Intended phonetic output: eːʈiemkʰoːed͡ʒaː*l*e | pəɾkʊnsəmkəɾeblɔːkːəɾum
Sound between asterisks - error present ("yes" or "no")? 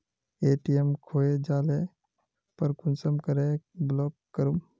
no